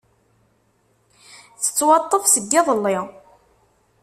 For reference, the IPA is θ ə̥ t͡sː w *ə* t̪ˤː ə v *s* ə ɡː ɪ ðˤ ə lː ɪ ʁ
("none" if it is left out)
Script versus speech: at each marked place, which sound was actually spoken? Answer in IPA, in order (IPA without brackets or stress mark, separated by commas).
ɑ, s